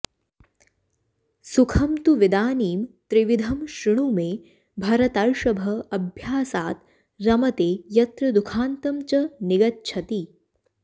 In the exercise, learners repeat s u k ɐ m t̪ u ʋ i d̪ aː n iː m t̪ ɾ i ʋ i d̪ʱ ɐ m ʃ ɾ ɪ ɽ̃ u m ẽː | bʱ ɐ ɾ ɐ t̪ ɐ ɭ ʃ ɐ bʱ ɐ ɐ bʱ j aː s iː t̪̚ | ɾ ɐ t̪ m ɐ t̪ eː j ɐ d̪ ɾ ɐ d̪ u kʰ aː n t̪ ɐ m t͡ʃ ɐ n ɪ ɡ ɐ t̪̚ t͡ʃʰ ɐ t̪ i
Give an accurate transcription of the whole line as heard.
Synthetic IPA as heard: s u kʰ ɐ m t̪ u ʋ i d̪ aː n iː m t̪ ɾ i ʋ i d̪ʱ ɐ m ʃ ɾ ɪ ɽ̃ u m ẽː | bʱ ɐ ɾ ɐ t̪ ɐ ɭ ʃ ɐ bʱ ɐ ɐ bʱ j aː s aː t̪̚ | ɾ ɐ m ɐ t̪ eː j ɐ t̪ ɾ ɐ d̪ u kʰ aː n t̪ ɐ m t͡ʃ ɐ n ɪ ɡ ɐ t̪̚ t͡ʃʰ ɐ t̪ i